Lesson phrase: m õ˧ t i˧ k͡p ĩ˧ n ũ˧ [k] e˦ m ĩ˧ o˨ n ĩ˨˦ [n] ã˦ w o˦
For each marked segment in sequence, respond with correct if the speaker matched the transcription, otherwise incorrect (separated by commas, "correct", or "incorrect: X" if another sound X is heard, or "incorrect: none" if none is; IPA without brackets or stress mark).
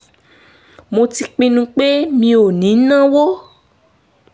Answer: incorrect: k͡p, correct